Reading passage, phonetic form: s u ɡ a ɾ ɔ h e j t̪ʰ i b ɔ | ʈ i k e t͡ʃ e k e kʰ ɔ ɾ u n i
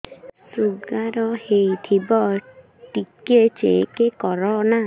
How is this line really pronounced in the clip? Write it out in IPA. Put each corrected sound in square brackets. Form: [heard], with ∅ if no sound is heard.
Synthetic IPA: s u ɡ a ɾ ɔ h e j t̪ʰ i b ɔ | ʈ i k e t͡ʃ e k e [k] ɔ ɾ [ɔ] n [a]

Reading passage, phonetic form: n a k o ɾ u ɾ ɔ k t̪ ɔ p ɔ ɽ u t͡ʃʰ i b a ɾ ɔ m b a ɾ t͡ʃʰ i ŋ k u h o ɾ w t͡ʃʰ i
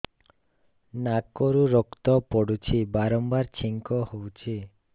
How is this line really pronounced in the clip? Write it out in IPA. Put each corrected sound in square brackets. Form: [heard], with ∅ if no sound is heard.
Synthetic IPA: n a k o ɾ u ɾ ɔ k t̪ ɔ p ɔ ɽ u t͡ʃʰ i b a ɾ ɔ m b a ɾ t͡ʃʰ i ŋ k [ɔ] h o [∅] w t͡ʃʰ i

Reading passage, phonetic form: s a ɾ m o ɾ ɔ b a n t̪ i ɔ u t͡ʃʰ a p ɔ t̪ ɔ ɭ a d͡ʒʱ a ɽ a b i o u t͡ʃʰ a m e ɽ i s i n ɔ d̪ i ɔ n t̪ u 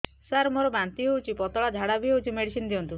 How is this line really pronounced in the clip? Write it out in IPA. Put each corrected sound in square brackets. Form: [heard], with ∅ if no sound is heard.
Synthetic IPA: s a ɾ m o ɾ ɔ b a n t̪ i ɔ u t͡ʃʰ [i] p ɔ t̪ ɔ ɭ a d͡ʒʱ a ɽ a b i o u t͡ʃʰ [i] m e ɽ i s i n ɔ d̪ i ɔ n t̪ u

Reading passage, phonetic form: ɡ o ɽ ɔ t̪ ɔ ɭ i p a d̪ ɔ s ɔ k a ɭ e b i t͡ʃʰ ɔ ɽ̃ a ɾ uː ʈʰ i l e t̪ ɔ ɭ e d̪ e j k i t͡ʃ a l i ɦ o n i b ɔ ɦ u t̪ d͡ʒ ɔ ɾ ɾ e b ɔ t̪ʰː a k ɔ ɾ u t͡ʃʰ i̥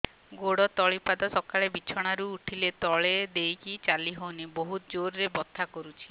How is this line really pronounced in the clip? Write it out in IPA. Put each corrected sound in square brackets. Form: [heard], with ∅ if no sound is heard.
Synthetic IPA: ɡ o ɽ ɔ t̪ ɔ ɭ i p a d̪ ɔ s ɔ k a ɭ e b i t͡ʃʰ ɔ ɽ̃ a ɾ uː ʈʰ i l e t̪ ɔ ɭ e d̪ e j k i t͡ʃ a l i ɦ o n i b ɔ ɦ u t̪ d͡ʒ [o] ɾ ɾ e b ɔ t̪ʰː a k ɔ ɾ u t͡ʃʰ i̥

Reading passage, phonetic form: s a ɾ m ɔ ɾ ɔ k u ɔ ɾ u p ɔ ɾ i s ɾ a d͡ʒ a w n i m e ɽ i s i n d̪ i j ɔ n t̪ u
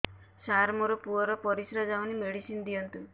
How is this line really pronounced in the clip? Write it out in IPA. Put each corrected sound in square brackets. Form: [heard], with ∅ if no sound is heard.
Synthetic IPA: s a ɾ m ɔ ɾ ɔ [p] u ɔ ɾ [ɔ] p ɔ ɾ i s ɾ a d͡ʒ a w n i m e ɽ i s i n d̪ i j ɔ n t̪ u

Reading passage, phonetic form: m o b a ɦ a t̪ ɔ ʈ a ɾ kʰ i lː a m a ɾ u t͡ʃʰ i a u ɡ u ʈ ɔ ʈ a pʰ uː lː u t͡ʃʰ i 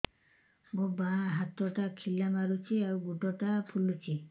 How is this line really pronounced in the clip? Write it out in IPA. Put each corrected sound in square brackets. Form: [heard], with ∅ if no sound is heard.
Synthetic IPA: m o b a ɦ a t̪ ɔ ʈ a [∅] kʰ i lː a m a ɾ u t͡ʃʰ i a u ɡ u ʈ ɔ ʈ a pʰ [u] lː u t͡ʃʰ i

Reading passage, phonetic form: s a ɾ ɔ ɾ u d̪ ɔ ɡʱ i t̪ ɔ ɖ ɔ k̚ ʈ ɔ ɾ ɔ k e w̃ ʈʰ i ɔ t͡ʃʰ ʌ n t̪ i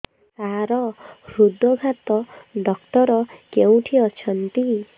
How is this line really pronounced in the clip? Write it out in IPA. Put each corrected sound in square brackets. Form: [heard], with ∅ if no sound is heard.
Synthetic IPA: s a ɾ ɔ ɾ u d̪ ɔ ɡʱ [a] t̪ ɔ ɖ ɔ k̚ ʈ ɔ ɾ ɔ k e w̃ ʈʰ i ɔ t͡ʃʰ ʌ n t̪ i

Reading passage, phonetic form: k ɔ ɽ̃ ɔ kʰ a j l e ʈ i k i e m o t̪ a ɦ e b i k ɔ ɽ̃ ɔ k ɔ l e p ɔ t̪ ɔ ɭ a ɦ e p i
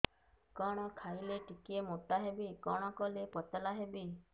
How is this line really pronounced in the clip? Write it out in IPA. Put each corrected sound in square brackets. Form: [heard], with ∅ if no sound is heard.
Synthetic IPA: k ɔ ɽ̃ ɔ kʰ a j l e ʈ i k i e m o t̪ a ɦ e b i k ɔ ɽ̃ ɔ k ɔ l e p ɔ t̪ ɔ [l] a ɦ e [b] i

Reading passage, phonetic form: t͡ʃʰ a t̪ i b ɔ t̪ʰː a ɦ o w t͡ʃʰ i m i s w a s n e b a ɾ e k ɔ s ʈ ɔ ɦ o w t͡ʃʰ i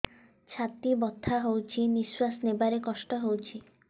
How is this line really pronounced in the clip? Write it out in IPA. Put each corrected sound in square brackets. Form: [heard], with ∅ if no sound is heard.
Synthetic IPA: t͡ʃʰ a t̪ i b ɔ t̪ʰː a ɦ o w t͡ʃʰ i [n] i s w a s n e b a ɾ e k ɔ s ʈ ɔ ɦ o w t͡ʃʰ i

